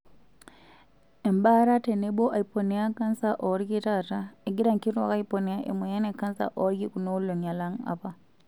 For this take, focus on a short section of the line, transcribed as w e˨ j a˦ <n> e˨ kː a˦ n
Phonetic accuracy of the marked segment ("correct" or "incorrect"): correct